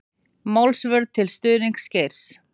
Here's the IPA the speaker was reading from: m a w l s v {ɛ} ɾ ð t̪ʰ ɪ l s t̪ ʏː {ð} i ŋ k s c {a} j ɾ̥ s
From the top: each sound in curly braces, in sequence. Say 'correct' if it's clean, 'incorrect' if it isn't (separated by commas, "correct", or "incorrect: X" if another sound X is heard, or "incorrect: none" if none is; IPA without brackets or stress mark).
incorrect: œ, correct, incorrect: e